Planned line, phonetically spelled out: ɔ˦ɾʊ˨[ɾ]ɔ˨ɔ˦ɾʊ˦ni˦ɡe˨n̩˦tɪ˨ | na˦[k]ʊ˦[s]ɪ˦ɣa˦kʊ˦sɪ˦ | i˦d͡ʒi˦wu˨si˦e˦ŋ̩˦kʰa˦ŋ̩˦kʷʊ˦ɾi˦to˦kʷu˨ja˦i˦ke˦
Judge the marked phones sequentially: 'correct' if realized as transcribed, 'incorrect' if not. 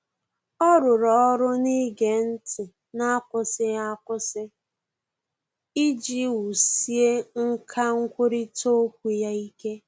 correct, correct, correct

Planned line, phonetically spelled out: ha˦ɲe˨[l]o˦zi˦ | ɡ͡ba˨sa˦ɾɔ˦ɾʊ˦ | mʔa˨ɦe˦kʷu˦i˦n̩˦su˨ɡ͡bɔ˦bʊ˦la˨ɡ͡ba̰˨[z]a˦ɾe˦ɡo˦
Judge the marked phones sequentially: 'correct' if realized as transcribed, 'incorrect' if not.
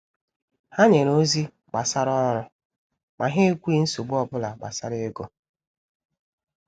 incorrect, incorrect

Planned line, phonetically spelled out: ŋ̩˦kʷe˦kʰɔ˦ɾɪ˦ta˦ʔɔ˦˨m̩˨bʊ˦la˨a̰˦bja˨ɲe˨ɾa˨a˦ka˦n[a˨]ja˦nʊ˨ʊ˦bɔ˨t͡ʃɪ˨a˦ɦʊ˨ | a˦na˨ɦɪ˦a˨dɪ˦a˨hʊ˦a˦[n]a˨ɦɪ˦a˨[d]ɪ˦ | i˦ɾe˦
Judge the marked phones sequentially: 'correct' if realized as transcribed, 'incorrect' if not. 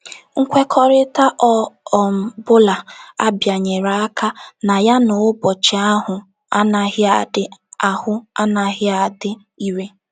correct, correct, correct

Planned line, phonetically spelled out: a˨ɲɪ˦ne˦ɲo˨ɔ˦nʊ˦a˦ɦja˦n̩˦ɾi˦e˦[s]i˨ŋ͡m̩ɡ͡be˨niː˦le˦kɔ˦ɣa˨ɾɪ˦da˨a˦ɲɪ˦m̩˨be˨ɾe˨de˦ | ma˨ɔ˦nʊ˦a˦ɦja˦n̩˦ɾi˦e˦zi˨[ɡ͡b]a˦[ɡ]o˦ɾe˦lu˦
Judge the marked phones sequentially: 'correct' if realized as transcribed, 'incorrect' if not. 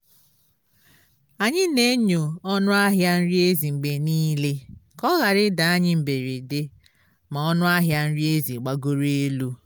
incorrect, correct, correct

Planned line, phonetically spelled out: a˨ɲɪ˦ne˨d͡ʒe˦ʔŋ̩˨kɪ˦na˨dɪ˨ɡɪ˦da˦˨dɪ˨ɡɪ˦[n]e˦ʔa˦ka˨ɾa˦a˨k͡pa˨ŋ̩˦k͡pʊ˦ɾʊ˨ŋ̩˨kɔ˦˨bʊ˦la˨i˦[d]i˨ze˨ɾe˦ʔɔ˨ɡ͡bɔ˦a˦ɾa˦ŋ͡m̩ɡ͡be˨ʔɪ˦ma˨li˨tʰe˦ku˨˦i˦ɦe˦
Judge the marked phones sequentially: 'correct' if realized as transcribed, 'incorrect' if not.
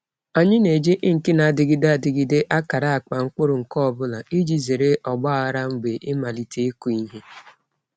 incorrect, incorrect

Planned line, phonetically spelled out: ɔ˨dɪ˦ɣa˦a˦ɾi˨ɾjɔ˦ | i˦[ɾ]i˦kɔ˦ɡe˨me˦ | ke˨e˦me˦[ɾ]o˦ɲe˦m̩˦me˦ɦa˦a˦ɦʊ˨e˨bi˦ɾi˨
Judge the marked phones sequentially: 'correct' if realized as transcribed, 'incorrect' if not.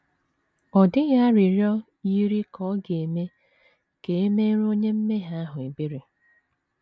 correct, correct

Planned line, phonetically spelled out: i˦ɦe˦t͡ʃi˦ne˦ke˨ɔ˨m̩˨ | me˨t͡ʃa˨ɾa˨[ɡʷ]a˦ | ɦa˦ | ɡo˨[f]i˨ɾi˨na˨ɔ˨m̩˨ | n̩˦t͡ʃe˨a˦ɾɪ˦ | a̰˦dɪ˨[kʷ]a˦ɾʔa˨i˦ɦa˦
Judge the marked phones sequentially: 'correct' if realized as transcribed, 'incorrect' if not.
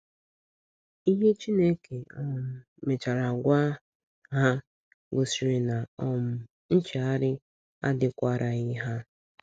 correct, incorrect, correct

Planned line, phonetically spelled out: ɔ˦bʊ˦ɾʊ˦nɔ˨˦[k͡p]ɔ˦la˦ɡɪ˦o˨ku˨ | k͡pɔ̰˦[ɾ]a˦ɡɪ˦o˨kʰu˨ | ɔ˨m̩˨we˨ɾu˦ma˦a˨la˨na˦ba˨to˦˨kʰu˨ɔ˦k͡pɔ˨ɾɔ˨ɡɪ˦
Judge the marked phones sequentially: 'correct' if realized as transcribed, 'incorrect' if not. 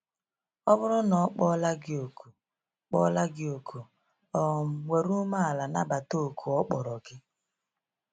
correct, incorrect

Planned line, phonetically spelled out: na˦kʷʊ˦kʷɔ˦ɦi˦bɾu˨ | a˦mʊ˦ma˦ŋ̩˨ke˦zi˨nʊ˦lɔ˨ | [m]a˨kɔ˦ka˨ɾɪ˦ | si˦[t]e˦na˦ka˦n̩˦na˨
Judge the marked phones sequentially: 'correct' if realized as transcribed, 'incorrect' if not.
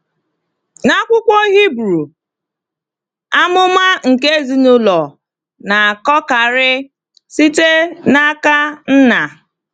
incorrect, correct

